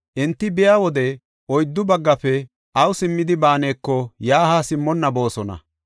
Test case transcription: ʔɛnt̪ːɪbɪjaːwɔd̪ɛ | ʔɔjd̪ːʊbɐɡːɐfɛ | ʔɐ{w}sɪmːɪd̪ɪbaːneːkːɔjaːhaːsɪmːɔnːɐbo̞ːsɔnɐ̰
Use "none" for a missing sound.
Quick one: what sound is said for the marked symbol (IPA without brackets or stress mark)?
w